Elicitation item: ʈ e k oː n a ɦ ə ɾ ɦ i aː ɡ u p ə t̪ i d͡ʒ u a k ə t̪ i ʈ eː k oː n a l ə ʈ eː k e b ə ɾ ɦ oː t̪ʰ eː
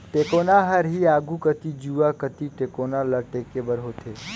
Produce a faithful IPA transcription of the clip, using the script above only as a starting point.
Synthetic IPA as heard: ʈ e k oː n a ɦ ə ɾ ɦ i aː ɡ u k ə t̪ i d͡ʒ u a k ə t̪ i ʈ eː k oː n a l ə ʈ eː k e b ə ɾ ɦ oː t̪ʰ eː

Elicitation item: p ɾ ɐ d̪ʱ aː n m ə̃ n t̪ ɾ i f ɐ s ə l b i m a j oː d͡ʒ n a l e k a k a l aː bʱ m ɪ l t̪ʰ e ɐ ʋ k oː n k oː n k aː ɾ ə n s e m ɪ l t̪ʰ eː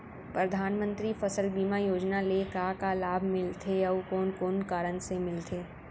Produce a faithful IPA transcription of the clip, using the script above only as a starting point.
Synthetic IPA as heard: p ɾ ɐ d̪ʱ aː n m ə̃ n t̪ ɾ i f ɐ s ə l b iː m a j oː d͡ʒ n a l e k a k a l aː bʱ m ɪ l t̪ʰ e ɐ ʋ k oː n k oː n k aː ɾ ə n s e m ɪ l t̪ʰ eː

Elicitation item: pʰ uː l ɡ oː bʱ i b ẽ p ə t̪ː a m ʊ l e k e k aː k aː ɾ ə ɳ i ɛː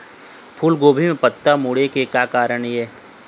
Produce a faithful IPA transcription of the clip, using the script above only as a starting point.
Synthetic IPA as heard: pʰ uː l ɡ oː bʱ i m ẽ p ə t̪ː a m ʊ ɽ e k e k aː k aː ɾ ə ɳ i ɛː

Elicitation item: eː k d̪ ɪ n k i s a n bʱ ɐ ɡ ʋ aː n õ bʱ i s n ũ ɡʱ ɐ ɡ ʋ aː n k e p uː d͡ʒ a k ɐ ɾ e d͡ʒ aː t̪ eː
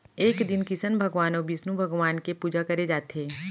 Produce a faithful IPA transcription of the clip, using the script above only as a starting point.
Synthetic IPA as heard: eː k d̪ ɪ n k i s ə n bʱ ɐ ɡ ʋ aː n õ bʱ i s n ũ bʱ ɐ ɡ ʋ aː n k e p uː d͡ʒ a k ɐ ɾ e d͡ʒ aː t̪ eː

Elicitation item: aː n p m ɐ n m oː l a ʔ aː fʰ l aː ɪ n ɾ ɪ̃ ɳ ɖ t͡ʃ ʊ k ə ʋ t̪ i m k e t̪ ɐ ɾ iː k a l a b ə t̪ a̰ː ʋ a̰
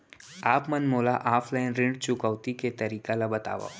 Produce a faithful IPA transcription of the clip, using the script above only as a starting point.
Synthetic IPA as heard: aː p m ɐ n m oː l a ʔ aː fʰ l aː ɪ n ɾ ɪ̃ ɳ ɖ t͡ʃ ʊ k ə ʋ t̪ i k e t̪ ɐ ɾ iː k a l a b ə t̪ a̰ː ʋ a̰

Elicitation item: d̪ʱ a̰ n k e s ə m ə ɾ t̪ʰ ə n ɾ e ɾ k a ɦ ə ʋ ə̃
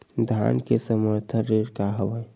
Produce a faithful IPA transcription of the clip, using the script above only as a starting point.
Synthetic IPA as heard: d̪ʱ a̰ n k e s ə m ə ɾ t̪ʰ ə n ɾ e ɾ k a ɦ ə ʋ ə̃

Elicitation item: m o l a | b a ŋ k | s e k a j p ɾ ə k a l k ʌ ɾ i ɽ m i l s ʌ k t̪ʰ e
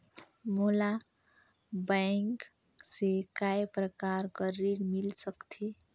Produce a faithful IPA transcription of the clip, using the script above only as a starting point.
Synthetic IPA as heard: m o l a | b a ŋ k | s e k a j p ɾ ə k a ɾ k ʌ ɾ i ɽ m i l s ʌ k t̪ʰ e

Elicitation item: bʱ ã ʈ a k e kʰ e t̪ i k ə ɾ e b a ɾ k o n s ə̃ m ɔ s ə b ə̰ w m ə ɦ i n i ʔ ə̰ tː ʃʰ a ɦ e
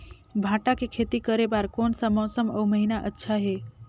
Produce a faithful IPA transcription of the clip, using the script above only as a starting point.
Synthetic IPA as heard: bʱ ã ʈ a k e kʰ e t̪ i k ə ɾ e b a ɾ k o n s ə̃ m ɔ s ə m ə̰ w m ə ɦ i n a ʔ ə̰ tː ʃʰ a ɦ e

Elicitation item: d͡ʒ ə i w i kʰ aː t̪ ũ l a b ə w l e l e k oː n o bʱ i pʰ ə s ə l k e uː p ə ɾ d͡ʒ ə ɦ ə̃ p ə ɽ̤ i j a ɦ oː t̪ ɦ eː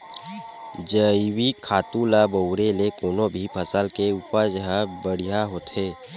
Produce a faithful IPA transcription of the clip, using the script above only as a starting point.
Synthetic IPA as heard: d͡ʒ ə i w i kʰ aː t̪ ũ l a b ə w ɾ e l e k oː n o bʱ i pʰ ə s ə l k e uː p ə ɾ d͡ʒ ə ɦ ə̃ b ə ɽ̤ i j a ɦ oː t̪ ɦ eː

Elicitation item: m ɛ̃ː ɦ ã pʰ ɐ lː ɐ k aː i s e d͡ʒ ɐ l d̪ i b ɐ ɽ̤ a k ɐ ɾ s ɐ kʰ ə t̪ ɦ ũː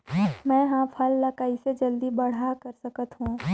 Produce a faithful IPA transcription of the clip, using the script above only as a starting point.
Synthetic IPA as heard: m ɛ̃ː ɦ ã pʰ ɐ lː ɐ k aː i s e d͡ʒ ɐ l d̪ i b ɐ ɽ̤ a k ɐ ɾ s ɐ k ə t̪ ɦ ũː

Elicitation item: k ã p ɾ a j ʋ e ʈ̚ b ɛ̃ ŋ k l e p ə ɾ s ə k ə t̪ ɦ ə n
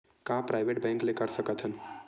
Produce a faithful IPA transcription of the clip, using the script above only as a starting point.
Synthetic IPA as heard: k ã p ɾ a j ʋ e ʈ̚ b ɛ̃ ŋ k l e k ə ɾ s ə k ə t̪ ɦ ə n

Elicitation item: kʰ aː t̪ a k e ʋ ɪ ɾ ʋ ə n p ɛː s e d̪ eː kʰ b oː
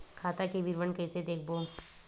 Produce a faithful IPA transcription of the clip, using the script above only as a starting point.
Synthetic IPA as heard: kʰ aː t̪ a k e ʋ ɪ ɾ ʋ ə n k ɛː s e d̪ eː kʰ b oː

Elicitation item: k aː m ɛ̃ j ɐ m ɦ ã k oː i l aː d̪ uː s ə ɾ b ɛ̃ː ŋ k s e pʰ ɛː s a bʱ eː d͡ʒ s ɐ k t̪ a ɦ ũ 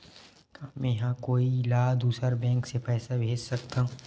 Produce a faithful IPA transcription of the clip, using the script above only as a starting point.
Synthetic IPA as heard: k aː m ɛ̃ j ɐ ɦ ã k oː i l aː d̪ uː s ə ɾ b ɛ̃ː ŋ k s e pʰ ɛː s a bʱ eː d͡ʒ s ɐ k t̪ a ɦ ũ

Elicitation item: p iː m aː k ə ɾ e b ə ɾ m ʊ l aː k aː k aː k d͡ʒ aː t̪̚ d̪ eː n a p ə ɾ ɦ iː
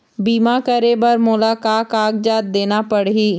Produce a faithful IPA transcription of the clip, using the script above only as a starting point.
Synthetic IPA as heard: b iː m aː k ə ɾ e b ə ɾ m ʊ l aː k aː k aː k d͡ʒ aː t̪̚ d̪ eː n a p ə ɽ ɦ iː

